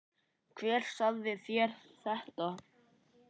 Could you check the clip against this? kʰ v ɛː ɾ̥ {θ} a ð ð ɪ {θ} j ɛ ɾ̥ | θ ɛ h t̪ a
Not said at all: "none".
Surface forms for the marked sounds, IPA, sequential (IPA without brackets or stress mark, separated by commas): s, θ